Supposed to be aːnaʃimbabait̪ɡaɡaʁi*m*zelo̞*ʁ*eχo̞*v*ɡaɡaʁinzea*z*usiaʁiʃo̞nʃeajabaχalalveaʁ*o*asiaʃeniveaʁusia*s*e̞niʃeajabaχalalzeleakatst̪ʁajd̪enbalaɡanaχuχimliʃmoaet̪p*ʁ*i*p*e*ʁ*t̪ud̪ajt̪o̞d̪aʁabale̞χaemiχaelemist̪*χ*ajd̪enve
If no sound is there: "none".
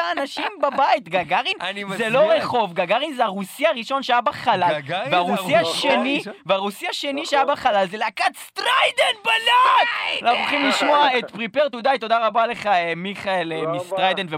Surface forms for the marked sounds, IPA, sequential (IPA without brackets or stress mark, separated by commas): n, ʁ, v, ʁ, u, ʃ, ʁ, p, ʁ, ʁ